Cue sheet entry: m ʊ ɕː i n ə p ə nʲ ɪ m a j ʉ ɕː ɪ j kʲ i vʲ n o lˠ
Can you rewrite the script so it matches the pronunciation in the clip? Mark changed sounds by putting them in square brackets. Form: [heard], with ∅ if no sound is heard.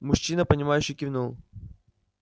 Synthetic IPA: m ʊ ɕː i n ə p ə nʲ ɪ m a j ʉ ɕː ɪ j kʲ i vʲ n [u] lˠ